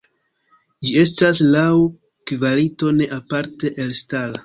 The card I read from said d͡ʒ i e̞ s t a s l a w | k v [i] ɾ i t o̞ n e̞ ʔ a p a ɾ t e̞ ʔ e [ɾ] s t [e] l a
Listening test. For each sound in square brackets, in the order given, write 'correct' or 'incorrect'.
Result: incorrect: a, incorrect: l, incorrect: a

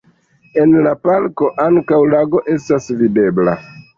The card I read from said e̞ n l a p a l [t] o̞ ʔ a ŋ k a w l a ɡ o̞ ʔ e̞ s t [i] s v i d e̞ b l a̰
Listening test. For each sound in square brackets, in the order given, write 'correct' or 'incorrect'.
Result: incorrect: k, incorrect: a

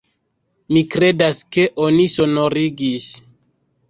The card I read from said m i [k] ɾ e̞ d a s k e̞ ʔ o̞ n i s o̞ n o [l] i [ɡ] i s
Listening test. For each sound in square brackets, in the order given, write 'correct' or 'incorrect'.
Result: correct, incorrect: ɾ, correct

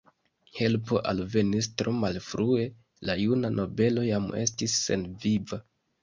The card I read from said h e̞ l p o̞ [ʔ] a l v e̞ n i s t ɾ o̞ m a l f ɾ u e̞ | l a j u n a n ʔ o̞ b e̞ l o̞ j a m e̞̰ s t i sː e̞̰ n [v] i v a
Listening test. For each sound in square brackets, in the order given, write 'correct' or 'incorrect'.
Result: correct, correct

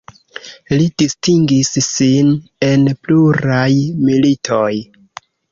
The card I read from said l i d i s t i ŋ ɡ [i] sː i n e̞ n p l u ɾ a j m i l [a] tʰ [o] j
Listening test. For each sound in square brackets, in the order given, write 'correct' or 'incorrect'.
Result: correct, incorrect: i, correct

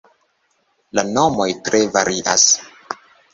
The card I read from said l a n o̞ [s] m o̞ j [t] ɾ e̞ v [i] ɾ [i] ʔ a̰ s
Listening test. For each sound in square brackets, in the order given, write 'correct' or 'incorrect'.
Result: incorrect: none, correct, incorrect: a, correct

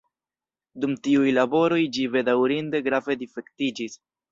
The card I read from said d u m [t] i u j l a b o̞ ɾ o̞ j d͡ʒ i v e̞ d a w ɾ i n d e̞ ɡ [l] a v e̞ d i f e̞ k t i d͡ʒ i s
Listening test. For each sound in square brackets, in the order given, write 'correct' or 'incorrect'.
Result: correct, incorrect: ɾ

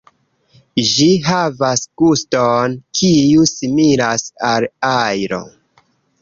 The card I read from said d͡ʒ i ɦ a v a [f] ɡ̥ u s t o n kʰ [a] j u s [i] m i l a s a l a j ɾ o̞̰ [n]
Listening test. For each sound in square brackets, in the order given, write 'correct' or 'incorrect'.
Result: incorrect: s, incorrect: i, correct, incorrect: none

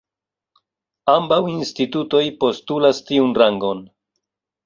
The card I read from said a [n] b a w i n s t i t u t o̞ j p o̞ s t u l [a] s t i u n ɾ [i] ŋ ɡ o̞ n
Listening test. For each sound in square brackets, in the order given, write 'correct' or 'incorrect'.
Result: incorrect: m, correct, incorrect: a

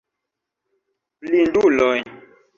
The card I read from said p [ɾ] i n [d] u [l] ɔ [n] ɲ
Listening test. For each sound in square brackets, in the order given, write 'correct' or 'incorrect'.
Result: incorrect: l, correct, correct, incorrect: none

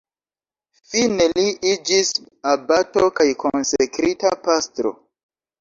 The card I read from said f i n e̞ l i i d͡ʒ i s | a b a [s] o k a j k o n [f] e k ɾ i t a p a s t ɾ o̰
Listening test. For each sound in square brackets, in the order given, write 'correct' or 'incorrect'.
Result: incorrect: t, incorrect: s

